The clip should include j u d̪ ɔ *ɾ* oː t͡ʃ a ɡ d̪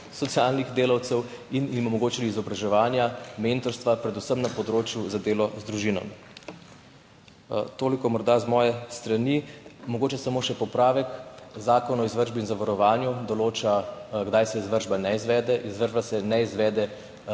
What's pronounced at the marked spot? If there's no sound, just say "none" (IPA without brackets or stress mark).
l